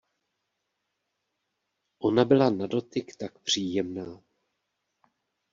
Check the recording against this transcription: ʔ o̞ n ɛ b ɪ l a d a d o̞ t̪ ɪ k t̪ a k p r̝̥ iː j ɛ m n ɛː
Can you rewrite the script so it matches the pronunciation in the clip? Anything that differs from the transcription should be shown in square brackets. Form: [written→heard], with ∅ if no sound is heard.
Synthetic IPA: ʔ o̞ n [ɛ→a] b ɪ l a [d→n] a d o̞ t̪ ɪ k t̪ a k p r̝̥ iː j ɛ m n [ɛː→aː]